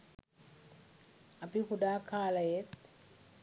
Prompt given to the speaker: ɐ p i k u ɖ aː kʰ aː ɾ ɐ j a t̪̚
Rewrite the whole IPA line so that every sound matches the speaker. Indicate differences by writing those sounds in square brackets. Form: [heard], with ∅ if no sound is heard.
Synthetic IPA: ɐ p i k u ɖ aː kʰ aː [l] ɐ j [e] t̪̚